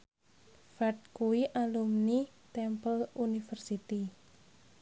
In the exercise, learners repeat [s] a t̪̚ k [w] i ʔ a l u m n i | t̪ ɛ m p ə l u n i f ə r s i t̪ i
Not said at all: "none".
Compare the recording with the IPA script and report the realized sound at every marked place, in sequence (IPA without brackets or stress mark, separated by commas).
f, u